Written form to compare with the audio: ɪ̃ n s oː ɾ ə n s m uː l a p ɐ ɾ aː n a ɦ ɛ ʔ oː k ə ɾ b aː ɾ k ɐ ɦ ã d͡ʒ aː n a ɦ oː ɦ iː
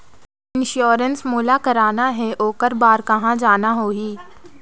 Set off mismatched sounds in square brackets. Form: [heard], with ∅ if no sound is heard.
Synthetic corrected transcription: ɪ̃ n [ʃ] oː ɾ ə n s m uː l a [k] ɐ ɾ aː n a ɦ ɛ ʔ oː k ə ɾ b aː ɾ k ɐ ɦ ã d͡ʒ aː n a ɦ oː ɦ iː

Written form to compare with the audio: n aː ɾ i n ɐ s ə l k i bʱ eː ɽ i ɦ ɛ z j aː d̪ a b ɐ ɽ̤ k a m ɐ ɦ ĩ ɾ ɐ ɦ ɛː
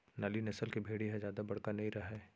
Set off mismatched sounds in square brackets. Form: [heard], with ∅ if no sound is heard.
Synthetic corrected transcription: n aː [l] i n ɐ s ə l k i bʱ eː ɽ i ɦ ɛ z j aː d̪ a b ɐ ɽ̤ k a [n] ɐ ɦ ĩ ɾ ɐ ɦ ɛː

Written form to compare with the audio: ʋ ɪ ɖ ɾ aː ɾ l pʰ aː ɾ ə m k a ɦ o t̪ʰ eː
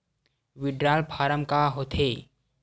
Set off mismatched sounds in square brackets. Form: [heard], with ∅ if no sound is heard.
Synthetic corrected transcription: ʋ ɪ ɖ ɾ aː [∅] l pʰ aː ɾ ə m k a ɦ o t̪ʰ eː

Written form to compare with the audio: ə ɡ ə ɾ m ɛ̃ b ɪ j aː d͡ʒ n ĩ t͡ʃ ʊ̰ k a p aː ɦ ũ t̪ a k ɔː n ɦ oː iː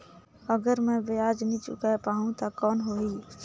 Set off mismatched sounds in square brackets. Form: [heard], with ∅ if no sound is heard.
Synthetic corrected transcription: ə ɡ ə ɾ m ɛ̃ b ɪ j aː d͡ʒ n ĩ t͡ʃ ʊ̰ k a p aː ɦ ũ t̪ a k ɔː n ɦ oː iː

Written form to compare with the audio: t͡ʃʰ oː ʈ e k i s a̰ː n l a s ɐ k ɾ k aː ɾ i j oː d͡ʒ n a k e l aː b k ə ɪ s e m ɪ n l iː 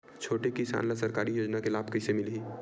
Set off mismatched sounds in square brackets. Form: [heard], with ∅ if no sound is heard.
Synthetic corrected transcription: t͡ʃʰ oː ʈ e k i s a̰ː n l a s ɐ [∅] ɾ k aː ɾ i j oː d͡ʒ n a k e l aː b k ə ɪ s e m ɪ [∅] l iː

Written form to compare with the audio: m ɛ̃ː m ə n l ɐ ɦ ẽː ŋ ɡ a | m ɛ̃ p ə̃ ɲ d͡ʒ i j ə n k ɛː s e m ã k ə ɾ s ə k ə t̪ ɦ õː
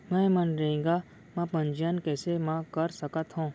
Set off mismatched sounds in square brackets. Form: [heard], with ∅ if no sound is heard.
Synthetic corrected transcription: m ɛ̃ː m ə n [ɾ] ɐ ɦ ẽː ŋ ɡ a | m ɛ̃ p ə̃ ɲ d͡ʒ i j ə n k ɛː s e m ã k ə ɾ s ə k ə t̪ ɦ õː

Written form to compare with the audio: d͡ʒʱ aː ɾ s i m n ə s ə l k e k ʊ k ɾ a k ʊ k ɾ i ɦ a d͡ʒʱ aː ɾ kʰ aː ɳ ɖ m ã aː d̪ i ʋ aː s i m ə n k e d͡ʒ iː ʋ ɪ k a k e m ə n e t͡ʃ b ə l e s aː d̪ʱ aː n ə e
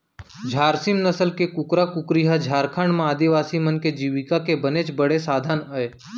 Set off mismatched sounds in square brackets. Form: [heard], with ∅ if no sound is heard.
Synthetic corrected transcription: d͡ʒʱ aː ɾ s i m n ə s ə l k e k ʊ k ɾ a k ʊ k ɾ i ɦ a d͡ʒʱ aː ɾ kʰ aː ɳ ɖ m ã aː d̪ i ʋ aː s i m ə n k e d͡ʒ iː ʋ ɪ k a k e [b] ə n e t͡ʃ b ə [ɽ] e s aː d̪ʱ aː n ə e

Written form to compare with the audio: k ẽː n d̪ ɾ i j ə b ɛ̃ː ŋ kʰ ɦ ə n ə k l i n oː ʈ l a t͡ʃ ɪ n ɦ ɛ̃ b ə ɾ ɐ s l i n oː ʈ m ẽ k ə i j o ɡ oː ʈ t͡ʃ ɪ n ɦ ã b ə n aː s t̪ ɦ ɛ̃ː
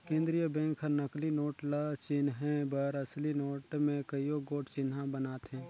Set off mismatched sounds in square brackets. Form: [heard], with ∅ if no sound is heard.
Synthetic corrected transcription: k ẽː n d̪ ɾ i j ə b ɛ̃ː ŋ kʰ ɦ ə n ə k l i n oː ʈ l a t͡ʃ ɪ n ɦ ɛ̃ b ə ɾ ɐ s l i n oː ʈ m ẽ k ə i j o ɡ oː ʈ t͡ʃ ɪ n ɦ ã b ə n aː [∅] t̪ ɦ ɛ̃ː

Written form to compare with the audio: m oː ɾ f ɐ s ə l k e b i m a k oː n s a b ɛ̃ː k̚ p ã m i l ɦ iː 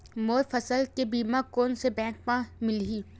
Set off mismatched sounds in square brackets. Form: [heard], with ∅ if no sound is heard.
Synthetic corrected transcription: m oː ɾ f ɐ s ə l k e b [iː] m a k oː n s [e] b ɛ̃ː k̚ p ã m [ɪ] l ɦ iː

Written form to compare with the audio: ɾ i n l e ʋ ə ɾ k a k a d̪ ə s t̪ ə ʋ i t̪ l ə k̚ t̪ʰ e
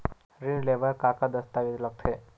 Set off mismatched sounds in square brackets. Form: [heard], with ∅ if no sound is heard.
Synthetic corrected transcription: ɾ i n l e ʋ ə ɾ k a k a d̪ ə s t̪ [a] ʋ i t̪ l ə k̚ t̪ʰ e

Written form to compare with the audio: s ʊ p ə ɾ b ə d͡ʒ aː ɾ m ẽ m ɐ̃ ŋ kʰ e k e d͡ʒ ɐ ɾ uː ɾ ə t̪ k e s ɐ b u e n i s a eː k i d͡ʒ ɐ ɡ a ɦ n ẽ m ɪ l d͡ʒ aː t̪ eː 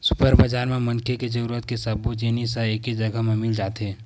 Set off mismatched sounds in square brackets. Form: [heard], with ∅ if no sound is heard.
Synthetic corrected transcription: s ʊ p ə ɾ b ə d͡ʒ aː ɾ m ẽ m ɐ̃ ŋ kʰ e k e d͡ʒ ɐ ɾ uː ɾ ə t̪ k e s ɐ b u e n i s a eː k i d͡ʒ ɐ ɡ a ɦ [m] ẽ m ɪ l d͡ʒ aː t̪ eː

